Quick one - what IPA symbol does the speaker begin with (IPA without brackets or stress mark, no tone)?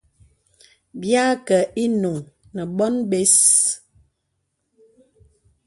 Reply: b